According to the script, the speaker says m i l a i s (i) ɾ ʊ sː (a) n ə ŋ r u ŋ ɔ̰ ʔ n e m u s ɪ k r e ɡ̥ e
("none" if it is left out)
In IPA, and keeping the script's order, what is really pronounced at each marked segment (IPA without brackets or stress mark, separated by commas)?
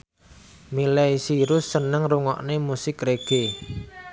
i, ə